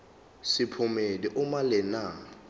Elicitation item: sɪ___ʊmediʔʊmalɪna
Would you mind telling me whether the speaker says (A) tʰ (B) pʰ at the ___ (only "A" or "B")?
B